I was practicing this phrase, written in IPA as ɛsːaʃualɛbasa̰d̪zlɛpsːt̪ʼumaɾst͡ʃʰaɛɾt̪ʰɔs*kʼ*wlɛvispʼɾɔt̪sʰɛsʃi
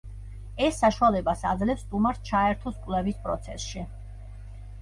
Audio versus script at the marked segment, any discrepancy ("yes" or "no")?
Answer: no